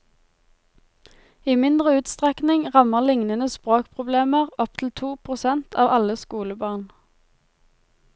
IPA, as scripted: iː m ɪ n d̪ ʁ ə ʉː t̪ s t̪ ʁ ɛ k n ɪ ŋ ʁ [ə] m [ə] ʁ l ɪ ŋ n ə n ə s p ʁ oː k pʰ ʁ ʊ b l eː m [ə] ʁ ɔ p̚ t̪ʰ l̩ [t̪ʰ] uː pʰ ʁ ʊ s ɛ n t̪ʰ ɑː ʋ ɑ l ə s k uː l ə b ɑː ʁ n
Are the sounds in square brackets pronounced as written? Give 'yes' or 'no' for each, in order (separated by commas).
no, yes, yes, yes